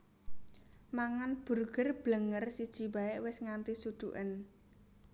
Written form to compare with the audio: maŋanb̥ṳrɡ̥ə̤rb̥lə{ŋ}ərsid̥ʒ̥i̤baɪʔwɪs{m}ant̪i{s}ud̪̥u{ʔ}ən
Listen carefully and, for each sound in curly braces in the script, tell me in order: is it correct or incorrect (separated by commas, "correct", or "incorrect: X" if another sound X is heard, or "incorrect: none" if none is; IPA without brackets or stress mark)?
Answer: correct, incorrect: ŋ, correct, correct